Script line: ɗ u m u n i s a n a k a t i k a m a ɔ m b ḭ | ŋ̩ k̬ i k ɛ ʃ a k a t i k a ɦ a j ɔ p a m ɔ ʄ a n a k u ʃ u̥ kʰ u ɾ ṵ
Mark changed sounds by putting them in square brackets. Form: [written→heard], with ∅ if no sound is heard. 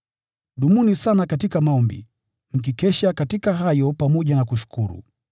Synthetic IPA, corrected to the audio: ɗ u m u n i s a n a k a t i k a m a ɔ m b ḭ | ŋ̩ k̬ i k ɛ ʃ a k a t i k a ɦ a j ɔ p a m ɔ ʄ a n a k u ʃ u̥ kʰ u ɾ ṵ